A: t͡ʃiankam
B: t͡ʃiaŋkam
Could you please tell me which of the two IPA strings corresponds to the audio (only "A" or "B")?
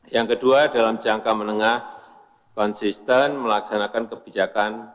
B